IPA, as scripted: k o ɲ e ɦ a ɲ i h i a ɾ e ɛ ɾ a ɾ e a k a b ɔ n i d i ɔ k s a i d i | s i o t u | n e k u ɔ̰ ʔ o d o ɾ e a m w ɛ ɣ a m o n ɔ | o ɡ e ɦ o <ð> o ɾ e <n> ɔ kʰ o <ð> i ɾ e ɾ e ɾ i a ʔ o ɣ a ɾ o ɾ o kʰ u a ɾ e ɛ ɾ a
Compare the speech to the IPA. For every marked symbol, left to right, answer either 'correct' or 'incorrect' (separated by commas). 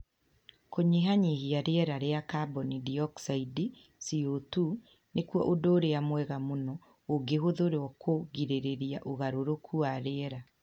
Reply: correct, incorrect, incorrect